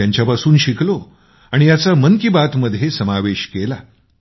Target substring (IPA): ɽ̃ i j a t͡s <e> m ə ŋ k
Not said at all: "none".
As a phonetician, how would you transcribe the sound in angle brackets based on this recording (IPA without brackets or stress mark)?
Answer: a